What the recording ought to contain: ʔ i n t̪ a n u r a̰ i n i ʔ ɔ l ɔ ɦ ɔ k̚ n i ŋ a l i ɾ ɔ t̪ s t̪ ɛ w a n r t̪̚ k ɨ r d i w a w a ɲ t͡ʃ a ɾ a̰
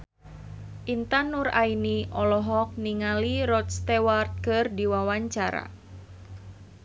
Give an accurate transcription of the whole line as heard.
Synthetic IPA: ʔ i n t̪ a n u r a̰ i n i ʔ ɔ l ɔ ɦ ɔ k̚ n i ŋ a l i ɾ ɔ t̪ s t̪ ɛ w a r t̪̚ k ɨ r d i w a w a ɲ t͡ʃ a ɾ a̰